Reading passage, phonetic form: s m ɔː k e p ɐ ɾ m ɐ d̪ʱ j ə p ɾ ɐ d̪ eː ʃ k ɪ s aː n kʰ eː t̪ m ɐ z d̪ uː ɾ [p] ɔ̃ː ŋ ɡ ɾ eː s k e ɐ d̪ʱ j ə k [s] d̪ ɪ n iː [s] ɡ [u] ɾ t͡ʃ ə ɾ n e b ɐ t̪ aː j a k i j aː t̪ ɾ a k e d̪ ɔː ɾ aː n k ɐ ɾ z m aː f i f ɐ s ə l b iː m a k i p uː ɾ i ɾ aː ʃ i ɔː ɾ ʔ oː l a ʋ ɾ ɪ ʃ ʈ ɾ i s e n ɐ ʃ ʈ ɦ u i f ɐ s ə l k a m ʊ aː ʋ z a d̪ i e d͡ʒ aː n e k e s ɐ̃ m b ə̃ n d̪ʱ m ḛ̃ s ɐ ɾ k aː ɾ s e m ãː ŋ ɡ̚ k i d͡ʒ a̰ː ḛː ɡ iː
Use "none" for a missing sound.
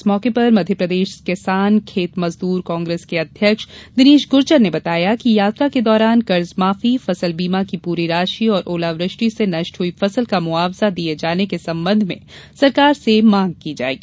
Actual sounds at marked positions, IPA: k, ʃ, ʃ, ʊ

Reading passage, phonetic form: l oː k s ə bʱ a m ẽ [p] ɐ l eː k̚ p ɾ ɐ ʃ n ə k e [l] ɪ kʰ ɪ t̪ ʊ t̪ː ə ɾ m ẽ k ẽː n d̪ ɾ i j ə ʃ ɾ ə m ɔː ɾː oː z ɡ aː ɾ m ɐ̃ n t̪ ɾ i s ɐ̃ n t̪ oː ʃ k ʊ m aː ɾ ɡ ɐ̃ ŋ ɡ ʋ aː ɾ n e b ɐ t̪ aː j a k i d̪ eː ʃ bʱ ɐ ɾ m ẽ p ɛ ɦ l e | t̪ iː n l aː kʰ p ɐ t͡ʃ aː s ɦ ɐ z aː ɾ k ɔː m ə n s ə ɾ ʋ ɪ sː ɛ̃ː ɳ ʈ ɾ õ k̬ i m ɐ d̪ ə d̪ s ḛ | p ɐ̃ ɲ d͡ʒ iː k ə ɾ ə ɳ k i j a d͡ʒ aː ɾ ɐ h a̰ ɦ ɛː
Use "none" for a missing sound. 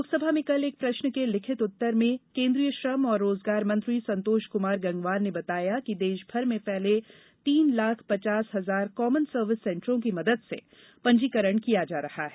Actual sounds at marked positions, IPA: k, l

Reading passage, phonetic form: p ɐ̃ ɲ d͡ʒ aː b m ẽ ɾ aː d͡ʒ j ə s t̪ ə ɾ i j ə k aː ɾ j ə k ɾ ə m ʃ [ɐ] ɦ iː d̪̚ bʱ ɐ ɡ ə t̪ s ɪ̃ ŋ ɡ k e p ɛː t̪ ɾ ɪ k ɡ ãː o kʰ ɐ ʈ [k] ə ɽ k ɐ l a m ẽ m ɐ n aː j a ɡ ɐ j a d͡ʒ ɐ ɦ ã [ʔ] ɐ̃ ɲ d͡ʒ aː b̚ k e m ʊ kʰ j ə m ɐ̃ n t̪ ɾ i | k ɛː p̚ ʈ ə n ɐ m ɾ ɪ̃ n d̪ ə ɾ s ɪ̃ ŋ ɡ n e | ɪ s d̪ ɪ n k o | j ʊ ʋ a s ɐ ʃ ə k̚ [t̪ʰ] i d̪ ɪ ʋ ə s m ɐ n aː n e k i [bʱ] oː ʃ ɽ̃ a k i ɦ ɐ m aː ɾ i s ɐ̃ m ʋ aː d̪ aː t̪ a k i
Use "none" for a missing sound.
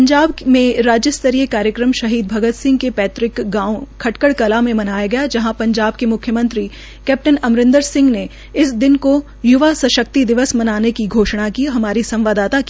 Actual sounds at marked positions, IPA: ɐ, k, p, t̪, ɡʱ

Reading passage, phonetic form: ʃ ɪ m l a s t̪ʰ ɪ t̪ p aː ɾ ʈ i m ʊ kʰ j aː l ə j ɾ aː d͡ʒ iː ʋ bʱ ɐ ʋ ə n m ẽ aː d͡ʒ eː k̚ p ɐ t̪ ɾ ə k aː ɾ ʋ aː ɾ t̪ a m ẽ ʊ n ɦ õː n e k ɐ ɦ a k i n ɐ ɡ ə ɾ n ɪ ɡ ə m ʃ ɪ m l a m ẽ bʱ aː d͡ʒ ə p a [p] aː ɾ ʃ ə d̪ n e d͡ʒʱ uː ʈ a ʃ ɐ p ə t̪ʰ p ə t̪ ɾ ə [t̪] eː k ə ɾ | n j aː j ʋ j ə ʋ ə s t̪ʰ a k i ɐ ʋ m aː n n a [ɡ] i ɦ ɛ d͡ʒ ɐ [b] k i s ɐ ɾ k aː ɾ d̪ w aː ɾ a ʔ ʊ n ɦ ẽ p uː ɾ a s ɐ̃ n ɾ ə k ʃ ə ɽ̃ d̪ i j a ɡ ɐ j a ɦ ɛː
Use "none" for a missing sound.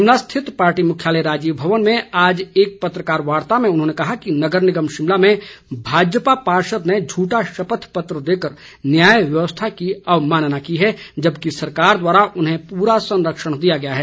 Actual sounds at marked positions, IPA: p, d̪, k, b

